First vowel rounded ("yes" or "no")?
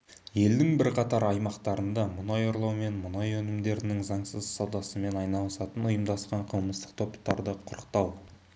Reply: no